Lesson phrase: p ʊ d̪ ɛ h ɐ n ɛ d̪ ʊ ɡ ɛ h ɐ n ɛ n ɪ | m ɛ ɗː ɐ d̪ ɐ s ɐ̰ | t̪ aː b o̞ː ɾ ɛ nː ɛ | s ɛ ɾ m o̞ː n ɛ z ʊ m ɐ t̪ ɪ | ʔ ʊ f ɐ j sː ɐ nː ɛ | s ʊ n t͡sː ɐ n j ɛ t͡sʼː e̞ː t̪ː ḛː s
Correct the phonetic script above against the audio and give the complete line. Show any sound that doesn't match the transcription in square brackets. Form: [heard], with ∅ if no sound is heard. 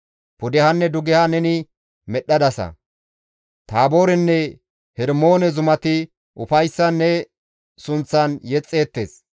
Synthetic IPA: p ʊ d̪ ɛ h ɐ [nː] ɛ d̪ ʊ ɡ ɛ h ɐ n ɛ n ɪ | m ɛ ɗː ɐ d̪ ɐ s ɐ̰ | t̪ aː b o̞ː ɾ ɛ nː ɛ | [h] ɛ ɾ m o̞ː n ɛ z ʊ m ɐ t̪ ɪ | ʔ ʊ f ɐ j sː ɐ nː ɛ | s ʊ n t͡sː ɐ n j ɛ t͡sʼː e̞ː t̪ː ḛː s

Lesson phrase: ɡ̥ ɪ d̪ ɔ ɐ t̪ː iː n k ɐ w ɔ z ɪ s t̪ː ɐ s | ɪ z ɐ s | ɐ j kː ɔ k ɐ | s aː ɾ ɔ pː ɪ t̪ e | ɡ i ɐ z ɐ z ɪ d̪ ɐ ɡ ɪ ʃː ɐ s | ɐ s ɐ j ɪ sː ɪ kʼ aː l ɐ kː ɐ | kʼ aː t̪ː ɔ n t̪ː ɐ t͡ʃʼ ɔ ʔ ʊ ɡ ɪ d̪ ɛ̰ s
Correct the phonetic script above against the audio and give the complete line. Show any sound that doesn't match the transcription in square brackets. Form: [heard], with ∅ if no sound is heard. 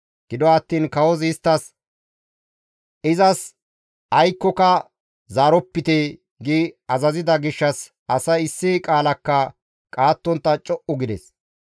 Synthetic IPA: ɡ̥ ɪ d̪ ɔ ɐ t̪ː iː n k ɐ w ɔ z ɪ s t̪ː ɐ s | ɪ z ɐ s | ɐ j kː ɔ k ɐ | [z] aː ɾ ɔ pː ɪ t̪ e | ɡ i ɐ z ɐ z ɪ d̪ ɐ ɡ ɪ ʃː ɐ s | ɐ s ɐ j ɪ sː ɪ kʼ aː l ɐ kː ɐ | kʼ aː t̪ː ɔ n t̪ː ɐ t͡ʃʼ ɔ ʔ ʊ ɡ ɪ d̪ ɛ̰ s

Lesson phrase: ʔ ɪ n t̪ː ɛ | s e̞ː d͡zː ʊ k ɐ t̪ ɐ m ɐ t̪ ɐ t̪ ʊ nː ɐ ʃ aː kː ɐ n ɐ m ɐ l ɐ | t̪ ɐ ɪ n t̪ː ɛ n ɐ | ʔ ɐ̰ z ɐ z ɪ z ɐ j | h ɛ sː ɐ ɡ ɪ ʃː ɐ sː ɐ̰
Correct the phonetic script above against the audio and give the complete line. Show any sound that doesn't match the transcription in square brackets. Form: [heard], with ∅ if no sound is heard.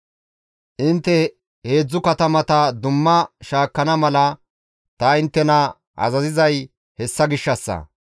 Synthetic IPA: ʔ ɪ n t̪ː ɛ | [h] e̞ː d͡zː ʊ k ɐ t̪ ɐ m ɐ t̪ ɐ [d̪] ʊ [mː] ɐ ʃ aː kː ɐ n ɐ m ɐ l ɐ | t̪ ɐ ɪ n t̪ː ɛ n ɐ | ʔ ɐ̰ z ɐ z ɪ z ɐ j | h ɛ sː ɐ ɡ ɪ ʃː ɐ sː ɐ̰

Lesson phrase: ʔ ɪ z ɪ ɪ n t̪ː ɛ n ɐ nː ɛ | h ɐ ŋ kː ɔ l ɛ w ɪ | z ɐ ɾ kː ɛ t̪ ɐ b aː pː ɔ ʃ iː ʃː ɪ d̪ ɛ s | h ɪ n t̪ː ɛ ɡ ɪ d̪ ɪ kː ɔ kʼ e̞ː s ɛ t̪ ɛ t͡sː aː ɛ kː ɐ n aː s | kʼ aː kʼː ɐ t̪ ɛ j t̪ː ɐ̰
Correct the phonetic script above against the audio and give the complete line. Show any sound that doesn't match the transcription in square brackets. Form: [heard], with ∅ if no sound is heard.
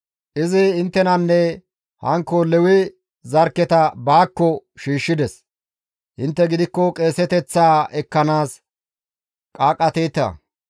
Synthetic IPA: ʔ ɪ z ɪ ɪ n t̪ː ɛ n ɐ nː ɛ | h ɐ ŋ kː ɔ l ɛ w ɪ | z ɐ ɾ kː ɛ t̪ ɐ b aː [kː] ɔ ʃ iː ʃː ɪ d̪ ɛ s | h ɪ n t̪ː ɛ ɡ ɪ d̪ ɪ kː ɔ kʼ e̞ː s ɛ t̪ ɛ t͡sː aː ɛ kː ɐ n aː s | kʼ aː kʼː ɐ t̪ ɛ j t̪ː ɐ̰

